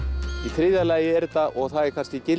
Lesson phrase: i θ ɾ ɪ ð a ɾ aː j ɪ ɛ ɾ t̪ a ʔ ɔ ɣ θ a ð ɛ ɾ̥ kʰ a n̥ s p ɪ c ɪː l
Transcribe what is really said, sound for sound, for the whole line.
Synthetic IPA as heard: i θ ɾ ɪ ð a l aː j ɪ ɛ ɾ t̪ a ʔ ɔ ɣ θ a ð ɛ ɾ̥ kʰ a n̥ s c ɪ c ɪ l